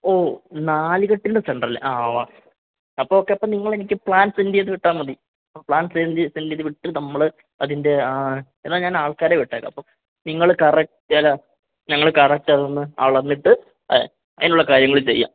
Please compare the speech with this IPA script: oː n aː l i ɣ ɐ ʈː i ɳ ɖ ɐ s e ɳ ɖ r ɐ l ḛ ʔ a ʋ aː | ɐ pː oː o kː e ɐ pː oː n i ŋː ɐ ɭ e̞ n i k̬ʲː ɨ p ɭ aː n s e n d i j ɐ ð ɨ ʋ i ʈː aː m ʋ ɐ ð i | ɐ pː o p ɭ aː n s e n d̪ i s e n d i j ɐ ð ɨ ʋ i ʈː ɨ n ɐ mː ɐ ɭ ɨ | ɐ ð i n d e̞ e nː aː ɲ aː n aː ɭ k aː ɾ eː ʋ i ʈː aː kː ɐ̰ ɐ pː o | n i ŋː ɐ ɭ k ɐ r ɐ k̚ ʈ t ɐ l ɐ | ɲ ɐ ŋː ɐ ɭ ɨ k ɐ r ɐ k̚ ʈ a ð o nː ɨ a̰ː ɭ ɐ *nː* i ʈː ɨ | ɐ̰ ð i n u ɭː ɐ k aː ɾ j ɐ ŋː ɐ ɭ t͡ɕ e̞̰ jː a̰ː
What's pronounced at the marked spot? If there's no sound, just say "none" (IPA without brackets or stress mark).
nː